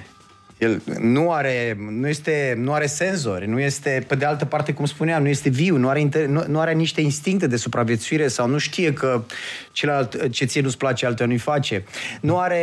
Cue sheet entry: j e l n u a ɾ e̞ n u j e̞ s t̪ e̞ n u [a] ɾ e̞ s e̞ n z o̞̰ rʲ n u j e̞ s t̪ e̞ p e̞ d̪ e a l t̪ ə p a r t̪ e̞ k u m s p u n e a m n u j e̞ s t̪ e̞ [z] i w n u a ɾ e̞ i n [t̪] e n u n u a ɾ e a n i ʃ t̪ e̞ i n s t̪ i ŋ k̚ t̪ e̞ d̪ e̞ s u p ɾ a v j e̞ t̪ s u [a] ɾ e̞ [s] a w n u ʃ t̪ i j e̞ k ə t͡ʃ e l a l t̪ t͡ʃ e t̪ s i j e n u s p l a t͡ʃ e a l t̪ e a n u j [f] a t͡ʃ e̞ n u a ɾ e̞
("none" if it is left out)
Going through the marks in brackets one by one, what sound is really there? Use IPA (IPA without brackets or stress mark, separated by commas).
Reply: a, v, t̪, i, s, f